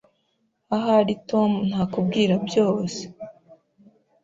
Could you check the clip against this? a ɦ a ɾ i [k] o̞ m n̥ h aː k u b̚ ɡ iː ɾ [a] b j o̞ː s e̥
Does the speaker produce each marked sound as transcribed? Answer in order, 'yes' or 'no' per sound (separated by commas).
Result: no, yes